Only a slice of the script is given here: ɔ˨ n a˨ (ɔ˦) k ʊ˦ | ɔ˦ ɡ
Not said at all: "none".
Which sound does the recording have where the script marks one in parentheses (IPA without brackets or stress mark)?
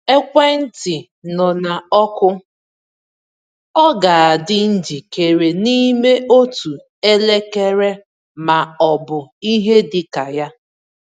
ɔ˦